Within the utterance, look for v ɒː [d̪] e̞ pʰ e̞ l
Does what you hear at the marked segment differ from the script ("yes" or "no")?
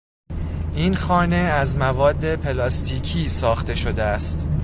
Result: yes